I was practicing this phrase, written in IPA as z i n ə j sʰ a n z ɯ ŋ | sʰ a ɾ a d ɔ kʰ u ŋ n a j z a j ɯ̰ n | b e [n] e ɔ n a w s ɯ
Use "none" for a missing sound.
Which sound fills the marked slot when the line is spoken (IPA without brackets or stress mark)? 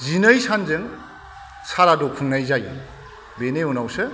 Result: n